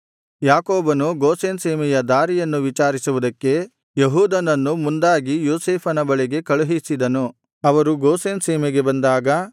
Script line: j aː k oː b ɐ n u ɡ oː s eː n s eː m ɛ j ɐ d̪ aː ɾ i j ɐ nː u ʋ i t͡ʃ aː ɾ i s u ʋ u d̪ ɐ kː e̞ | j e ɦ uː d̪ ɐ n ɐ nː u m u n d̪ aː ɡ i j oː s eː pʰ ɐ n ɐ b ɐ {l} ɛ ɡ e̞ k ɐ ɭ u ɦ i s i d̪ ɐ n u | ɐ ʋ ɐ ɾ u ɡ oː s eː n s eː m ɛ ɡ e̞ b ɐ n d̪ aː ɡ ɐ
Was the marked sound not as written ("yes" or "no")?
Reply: yes